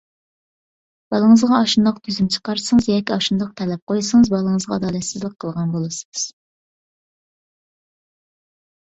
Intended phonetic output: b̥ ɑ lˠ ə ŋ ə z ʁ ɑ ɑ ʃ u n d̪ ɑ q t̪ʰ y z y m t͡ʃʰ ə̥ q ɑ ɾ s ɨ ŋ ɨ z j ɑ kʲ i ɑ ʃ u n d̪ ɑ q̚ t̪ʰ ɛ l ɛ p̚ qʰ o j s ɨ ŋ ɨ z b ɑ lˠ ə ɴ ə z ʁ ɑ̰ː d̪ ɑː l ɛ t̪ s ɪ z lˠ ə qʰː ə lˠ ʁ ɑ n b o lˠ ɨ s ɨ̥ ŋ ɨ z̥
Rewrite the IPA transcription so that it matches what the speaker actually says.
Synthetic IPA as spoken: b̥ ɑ lˠ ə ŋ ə z ʁ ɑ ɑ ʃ u n d̪ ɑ q t̪ʰ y z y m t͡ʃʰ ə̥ q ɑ ɾ s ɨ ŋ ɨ z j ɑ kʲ i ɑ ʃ u n d̪ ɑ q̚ t̪ʰ ɛ l ɛ p̚ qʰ o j s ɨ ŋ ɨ z b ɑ lˠ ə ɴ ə z ʁ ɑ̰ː d̪ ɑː l ɛ t̪ s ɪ z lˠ ə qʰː ə lˠ ʁ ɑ n b o lˠ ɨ s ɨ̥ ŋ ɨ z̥